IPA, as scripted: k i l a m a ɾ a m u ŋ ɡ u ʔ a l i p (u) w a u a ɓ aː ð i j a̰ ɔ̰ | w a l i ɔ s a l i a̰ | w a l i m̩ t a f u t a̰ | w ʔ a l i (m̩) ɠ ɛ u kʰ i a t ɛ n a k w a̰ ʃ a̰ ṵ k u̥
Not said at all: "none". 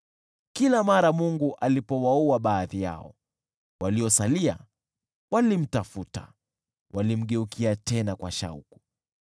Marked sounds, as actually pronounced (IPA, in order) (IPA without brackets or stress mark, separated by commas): ɔ, m̩